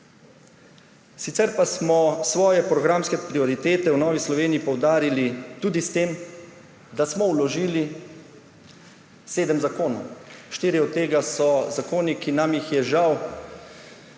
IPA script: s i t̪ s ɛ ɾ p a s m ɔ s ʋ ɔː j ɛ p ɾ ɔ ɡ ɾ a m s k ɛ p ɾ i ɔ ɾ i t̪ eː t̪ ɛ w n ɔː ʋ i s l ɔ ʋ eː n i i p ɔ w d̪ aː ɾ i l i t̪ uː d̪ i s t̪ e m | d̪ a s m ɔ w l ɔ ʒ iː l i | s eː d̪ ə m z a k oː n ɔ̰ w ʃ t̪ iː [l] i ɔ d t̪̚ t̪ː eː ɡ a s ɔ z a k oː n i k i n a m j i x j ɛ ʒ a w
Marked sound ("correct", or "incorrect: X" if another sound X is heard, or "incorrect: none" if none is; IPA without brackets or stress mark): incorrect: ɾ